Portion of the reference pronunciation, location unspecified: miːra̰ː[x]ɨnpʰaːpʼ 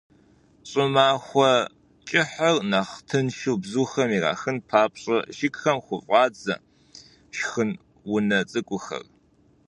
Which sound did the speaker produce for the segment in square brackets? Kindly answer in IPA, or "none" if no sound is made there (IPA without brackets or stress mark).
x